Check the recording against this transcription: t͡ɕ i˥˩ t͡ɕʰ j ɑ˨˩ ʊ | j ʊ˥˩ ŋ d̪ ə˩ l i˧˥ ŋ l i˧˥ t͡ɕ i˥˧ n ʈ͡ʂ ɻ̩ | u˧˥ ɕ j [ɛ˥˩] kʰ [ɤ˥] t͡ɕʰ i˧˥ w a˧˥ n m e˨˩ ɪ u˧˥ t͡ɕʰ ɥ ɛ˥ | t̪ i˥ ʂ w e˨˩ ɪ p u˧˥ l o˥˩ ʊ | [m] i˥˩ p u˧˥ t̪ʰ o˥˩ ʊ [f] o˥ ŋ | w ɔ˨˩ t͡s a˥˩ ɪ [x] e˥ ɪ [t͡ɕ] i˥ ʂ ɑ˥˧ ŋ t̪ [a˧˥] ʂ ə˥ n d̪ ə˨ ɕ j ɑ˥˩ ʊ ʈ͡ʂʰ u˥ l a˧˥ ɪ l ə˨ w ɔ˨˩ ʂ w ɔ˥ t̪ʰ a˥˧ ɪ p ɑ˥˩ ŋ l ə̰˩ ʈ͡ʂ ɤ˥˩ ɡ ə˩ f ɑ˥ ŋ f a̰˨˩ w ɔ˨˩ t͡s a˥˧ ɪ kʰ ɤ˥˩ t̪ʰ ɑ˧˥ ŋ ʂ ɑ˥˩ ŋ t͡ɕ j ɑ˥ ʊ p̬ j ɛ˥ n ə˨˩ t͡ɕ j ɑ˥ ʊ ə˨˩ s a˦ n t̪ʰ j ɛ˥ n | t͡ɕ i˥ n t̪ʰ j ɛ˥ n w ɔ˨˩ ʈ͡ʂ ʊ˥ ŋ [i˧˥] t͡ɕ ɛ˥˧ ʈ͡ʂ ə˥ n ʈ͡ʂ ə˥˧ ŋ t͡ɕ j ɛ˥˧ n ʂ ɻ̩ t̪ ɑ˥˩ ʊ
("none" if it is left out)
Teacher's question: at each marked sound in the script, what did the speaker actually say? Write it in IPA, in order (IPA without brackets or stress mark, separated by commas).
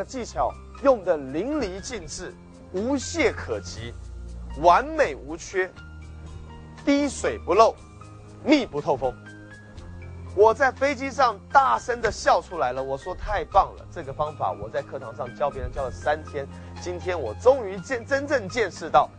ɛ˥˩, ɤ˨˩, m, f, f, t͡ɕ, a˥˩, y˧˥